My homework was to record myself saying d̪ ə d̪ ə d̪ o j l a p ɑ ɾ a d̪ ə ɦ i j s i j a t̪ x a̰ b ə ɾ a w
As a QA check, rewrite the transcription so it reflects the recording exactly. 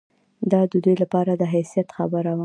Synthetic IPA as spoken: d̪ ɑ d̪ ə d̪ u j l a p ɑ ɾ a d̪ ə ɦ a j s i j a t̪ x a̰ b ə ɾ a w

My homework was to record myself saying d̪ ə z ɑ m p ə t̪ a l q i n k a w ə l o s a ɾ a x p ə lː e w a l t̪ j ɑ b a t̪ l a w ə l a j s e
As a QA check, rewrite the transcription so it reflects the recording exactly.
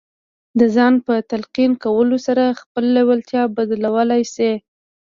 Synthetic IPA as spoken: d̪ ə z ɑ n p ə t̪ a l q i n k a w ə l o s a ɾ a x p ə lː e w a l t̪ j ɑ b a d̪ l a w ə l a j s e

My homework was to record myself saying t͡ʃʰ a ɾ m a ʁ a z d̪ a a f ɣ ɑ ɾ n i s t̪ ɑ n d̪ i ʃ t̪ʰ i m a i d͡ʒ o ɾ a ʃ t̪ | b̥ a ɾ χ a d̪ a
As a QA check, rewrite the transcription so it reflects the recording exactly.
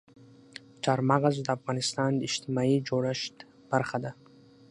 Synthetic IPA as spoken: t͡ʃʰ a ɾ m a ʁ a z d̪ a a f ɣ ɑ n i s t̪ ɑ n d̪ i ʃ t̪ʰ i m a i d͡ʒ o ɾ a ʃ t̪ | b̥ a ɾ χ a d̪ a

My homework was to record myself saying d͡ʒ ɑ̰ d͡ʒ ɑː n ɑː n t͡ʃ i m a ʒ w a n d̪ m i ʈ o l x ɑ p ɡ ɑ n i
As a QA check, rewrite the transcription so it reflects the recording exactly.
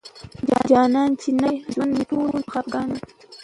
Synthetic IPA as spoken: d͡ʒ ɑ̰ d͡ʒ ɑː n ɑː n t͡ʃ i n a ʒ w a n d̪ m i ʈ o l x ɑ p ɡ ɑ n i

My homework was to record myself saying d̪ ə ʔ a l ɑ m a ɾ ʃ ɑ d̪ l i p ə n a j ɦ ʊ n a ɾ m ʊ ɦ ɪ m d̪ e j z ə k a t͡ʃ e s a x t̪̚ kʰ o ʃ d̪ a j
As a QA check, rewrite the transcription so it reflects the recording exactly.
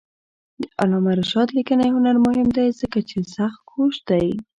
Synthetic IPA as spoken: d̪ ə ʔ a l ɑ m a ɾ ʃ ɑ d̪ l i k ə n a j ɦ ʊ n a ɾ m ʊ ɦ ɪ m d̪ a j z ə k a t͡ʃ e s a x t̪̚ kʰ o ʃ d̪ a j

